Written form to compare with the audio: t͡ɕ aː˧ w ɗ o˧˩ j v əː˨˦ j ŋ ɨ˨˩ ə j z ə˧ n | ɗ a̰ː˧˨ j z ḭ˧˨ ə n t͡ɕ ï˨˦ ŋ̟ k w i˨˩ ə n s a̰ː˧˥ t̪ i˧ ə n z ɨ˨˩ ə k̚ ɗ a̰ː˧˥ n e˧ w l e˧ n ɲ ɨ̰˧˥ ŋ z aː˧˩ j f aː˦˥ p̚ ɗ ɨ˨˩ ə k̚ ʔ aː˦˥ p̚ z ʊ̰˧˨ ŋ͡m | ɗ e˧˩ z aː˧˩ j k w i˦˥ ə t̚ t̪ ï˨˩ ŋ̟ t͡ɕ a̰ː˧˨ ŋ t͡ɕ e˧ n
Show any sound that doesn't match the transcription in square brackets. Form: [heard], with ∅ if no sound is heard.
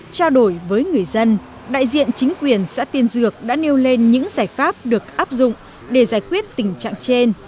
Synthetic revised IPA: t͡ɕ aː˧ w ɗ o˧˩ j v əː˨˦ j ŋ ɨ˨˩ ə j z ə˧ n | ɗ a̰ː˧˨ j z ḭ˧˨ ə n t͡ɕ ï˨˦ ŋ̟ k w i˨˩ ə n s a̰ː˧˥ t̪ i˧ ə n z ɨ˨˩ ə k̚ ɗ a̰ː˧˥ n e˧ w l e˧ n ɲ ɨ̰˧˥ ŋ z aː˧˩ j f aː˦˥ p̚ ɗ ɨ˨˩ ə k̚ ʔ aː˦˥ p̚ z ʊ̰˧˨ ŋ͡m | ɗ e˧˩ z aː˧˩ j k w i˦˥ ə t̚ t̪ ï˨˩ ŋ̟ t͡ɕ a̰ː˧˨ ŋ t͡ɕ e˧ n